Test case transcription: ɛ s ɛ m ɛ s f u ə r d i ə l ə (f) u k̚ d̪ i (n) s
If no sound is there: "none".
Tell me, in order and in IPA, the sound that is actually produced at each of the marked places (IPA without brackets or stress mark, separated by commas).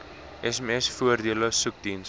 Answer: s, n